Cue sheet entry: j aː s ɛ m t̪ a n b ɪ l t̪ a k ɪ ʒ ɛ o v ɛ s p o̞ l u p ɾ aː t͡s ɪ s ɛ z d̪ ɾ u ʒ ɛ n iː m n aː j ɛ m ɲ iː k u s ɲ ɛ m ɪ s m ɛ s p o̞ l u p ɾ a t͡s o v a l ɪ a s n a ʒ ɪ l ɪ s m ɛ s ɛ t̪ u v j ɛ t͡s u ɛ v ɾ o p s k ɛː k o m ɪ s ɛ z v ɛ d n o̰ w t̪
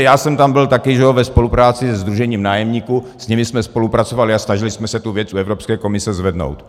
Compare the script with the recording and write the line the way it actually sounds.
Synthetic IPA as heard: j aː s ɛ m t̪ a m b ɪ l t̪ a k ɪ ʒ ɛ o v ɛ s p o̞ l u p ɾ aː t͡s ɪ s ɛ z d̪ ɾ u ʒ ɛ ɲ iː m n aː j ɛ m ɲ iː k u s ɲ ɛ m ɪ s m ɛ s p o̞ l u p ɾ a t͡s o v a l ɪ a s n a ʒ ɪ l ɪ s m ɛ s ɛ t̪ u v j ɛ t͡s u ɛ v ɾ o p s k ɛː k o m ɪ s ɛ z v ɛ d n o̰ w t̪